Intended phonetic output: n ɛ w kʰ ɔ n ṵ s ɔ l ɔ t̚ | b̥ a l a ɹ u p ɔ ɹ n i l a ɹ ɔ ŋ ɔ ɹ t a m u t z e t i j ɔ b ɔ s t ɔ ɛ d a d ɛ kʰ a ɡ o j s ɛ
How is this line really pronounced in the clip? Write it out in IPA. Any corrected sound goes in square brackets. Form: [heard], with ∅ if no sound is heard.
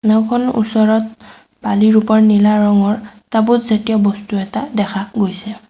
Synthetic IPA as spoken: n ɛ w kʰ ɔ n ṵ s ɔ [ɹ] ɔ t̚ | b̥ a l [i] ɹ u p ɔ ɹ n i l a ɹ ɔ ŋ ɔ ɹ t a [b] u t z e t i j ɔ b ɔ s t [u] ɛ [t] a d ɛ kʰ a ɡ o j s ɛ